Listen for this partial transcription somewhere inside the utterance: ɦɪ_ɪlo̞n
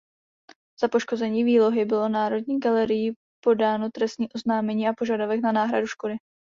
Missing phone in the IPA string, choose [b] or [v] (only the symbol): b